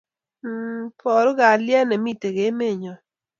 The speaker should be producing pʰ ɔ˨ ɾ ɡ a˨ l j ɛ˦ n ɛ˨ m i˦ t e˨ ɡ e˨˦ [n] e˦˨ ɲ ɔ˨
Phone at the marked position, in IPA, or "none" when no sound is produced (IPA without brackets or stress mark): m